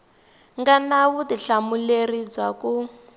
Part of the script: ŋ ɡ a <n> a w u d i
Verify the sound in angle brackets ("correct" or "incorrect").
correct